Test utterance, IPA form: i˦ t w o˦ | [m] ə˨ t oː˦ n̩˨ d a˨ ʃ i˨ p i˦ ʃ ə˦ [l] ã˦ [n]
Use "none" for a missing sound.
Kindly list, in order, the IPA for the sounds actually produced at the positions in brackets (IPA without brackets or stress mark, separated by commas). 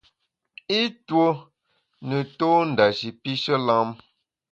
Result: n, l, m